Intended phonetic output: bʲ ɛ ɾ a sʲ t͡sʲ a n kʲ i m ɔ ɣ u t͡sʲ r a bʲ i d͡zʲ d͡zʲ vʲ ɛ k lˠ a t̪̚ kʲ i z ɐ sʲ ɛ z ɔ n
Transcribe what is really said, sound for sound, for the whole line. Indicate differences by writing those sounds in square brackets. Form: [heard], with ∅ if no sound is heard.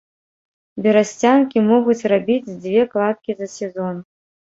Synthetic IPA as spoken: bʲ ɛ ɾ a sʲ t͡sʲ a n kʲ i m ɔ ɣ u t͡sʲ r a bʲ i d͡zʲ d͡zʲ vʲ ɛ k lˠ a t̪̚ kʲ i z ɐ sʲ ɛ z ɔ n